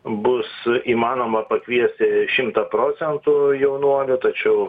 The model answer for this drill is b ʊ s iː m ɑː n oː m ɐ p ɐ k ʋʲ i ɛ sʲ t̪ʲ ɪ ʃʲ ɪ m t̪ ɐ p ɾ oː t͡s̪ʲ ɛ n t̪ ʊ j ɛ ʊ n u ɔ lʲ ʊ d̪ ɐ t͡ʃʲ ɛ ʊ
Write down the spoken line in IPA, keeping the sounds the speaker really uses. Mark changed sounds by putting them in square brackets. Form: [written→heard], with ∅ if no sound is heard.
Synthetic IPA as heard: b ʊ s iː m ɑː n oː m ɐ p ɐ k ʋʲ i ɛ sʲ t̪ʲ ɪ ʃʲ ɪ m t̪ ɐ p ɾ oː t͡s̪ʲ ɛ n t̪ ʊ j ɛ ʊ n u ɔ lʲ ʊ [d̪→t̪] ɐ t͡ʃʲ ɛ ʊ